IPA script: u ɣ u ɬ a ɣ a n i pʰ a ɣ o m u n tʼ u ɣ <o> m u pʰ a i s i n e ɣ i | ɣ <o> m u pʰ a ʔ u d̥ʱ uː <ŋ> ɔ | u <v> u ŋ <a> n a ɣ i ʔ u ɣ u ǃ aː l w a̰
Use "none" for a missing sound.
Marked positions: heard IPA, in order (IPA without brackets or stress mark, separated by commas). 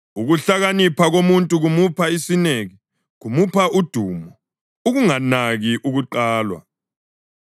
u, u, m, ɣ, a